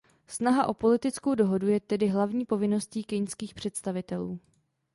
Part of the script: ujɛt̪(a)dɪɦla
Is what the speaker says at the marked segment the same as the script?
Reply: no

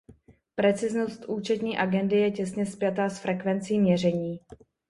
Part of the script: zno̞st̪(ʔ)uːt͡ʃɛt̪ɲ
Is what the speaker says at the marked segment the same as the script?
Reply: yes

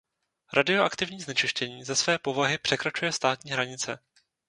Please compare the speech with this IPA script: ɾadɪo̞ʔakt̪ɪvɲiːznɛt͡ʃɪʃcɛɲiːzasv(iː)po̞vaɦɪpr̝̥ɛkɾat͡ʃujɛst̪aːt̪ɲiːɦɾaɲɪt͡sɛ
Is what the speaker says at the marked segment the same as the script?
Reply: no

